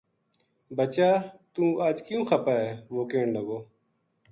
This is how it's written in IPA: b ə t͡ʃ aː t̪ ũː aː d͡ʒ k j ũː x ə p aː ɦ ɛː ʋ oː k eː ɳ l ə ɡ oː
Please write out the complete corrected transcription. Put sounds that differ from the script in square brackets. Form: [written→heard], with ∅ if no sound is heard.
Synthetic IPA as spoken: b ə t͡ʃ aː t̪ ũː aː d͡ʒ k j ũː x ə p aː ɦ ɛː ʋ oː k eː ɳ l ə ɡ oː